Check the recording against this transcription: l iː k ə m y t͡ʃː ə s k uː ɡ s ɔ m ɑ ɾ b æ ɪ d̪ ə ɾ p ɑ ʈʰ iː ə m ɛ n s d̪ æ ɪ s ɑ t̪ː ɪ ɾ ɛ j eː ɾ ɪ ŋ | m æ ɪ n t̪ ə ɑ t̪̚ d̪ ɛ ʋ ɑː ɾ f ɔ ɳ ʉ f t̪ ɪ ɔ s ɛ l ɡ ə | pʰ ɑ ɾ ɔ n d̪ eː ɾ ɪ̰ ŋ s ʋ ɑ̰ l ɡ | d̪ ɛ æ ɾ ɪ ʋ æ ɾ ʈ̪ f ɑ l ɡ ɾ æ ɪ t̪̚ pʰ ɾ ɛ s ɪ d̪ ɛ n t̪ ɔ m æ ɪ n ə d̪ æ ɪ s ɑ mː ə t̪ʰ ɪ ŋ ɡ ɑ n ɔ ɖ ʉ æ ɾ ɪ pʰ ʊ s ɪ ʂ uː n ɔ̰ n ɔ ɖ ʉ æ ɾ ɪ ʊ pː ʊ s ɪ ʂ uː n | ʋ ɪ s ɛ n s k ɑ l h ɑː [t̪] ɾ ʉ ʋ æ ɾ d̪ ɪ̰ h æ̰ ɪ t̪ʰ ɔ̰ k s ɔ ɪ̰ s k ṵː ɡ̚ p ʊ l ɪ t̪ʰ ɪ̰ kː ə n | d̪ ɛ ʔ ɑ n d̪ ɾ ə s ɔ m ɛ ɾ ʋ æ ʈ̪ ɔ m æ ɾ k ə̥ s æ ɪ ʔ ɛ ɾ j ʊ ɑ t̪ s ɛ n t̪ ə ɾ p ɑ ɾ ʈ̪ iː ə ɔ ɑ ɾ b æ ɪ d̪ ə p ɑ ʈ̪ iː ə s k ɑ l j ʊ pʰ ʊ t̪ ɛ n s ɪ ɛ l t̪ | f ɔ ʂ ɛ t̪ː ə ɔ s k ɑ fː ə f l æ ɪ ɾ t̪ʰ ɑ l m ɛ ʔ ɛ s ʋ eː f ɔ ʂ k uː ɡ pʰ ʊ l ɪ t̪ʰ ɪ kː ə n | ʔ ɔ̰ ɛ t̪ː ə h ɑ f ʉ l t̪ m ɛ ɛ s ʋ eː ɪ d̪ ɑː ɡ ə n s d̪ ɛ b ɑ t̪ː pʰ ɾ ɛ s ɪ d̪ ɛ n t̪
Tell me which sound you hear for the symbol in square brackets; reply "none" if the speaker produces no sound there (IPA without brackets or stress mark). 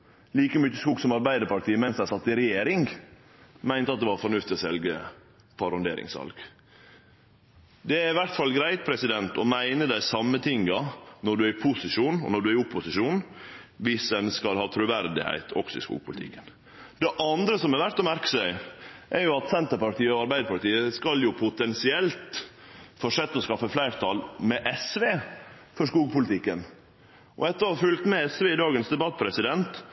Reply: t̪ʰ